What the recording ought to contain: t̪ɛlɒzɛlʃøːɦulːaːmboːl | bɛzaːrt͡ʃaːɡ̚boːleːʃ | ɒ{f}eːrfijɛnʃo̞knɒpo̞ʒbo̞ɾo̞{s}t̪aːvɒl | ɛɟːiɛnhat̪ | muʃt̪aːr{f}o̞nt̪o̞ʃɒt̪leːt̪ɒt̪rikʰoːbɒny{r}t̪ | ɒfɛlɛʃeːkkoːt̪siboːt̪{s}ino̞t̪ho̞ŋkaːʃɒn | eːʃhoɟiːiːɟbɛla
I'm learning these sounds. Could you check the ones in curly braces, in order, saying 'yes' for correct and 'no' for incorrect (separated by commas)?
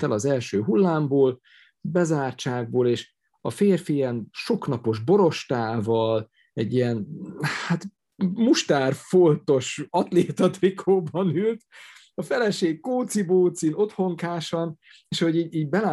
yes, no, yes, no, yes